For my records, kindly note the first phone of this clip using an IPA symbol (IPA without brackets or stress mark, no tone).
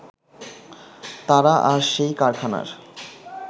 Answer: t̪